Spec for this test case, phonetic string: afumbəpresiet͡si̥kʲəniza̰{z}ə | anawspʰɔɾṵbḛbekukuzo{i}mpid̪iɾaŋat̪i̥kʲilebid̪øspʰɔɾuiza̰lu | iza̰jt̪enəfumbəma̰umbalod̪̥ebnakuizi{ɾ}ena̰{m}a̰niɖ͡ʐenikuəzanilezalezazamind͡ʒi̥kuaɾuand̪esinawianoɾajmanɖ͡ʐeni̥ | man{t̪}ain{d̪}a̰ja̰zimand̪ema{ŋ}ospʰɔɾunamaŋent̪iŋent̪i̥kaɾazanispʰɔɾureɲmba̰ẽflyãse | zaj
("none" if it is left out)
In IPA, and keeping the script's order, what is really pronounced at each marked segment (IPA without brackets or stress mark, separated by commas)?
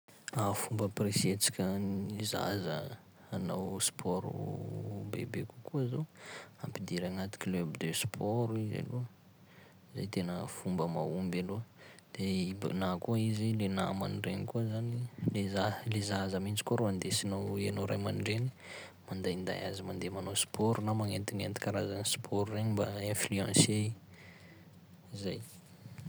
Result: z, a, l, m, d̪, d̪, n